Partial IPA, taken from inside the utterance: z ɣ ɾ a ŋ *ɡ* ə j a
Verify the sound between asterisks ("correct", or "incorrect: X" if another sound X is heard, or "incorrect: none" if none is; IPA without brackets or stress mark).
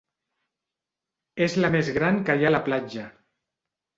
incorrect: k